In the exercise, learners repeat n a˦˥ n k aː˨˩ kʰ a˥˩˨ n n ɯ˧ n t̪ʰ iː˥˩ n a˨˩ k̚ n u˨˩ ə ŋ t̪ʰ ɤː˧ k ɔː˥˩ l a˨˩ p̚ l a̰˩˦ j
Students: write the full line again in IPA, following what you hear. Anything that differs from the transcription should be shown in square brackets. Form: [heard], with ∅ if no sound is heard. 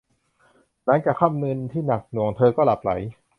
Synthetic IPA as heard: n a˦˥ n k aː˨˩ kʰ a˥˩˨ [m] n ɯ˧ n t̪ʰ iː˥˩ n a˨˩ k̚ n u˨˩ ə ŋ t̪ʰ ɤː˧ k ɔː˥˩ l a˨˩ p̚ l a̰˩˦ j